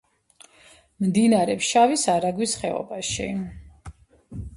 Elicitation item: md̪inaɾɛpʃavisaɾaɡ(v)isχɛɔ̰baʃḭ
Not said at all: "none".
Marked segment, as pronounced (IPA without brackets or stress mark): w